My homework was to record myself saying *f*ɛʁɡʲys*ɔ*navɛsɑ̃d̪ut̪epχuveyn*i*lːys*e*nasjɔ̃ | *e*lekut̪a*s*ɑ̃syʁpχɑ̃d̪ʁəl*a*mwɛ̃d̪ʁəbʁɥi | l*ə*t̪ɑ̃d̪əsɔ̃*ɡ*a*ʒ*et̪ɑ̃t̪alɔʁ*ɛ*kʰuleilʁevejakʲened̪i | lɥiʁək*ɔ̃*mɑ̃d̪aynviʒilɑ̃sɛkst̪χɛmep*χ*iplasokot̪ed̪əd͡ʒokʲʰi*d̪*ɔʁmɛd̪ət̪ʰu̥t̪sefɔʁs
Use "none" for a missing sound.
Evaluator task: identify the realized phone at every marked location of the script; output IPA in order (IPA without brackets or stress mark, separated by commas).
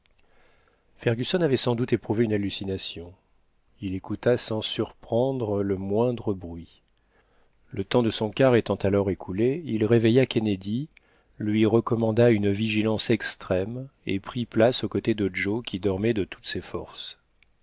f, ɔ, a, i, i, s, ə, ə, k, ʁ, e, ɔ, χ, d̪